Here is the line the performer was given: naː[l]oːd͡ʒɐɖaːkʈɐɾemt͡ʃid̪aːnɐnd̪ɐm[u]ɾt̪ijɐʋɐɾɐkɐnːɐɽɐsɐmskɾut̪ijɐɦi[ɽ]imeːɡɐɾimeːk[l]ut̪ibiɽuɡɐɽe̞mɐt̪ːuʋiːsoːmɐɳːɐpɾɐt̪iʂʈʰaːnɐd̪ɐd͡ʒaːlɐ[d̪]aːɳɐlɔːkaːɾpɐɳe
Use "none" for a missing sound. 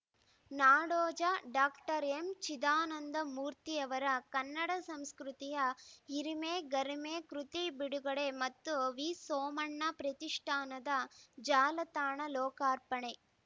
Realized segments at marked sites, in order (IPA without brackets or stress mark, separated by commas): ɽ, uː, ɾ, ɾ, t̪